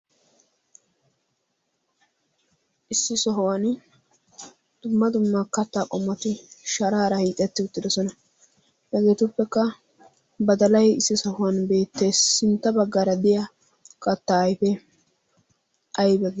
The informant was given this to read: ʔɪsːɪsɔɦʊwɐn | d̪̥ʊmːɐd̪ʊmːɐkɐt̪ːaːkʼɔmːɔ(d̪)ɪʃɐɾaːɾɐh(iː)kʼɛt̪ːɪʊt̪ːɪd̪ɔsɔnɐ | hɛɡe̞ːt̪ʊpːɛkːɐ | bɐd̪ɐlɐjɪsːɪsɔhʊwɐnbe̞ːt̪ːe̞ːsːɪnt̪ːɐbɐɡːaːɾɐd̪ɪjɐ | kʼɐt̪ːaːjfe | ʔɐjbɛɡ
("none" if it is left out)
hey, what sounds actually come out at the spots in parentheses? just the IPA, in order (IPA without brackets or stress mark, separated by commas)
t̪, iː